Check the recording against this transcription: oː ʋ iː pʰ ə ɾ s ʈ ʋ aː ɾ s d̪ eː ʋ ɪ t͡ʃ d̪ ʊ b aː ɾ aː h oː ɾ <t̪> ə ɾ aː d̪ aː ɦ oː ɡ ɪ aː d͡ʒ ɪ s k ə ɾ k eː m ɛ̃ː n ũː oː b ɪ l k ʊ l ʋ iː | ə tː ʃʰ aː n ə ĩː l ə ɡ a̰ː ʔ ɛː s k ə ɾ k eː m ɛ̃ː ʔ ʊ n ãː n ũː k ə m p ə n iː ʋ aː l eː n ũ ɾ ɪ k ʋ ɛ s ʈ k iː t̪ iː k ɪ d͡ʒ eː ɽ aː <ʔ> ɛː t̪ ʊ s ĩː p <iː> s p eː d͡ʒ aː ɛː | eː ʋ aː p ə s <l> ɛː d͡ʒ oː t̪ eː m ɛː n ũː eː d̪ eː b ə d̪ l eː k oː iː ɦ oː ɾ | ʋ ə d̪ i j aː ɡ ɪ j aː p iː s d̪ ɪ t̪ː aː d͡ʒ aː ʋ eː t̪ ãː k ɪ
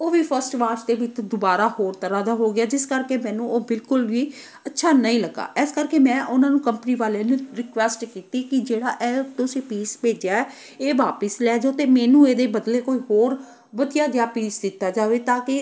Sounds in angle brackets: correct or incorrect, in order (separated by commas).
correct, correct, correct, correct